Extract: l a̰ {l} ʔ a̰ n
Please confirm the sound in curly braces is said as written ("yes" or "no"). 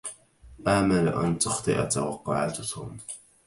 no